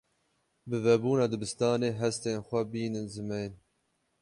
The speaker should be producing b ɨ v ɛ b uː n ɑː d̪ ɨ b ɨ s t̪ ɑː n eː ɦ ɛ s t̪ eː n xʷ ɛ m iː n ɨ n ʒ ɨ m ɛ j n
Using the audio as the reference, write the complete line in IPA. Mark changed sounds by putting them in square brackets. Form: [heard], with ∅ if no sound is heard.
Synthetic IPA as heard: b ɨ v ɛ b uː n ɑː d̪ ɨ b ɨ s t̪ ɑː n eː ɦ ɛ s t̪ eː n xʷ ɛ [b] iː n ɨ n [z] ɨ m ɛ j n